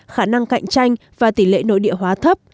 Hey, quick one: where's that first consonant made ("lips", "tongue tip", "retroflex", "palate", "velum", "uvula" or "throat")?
velum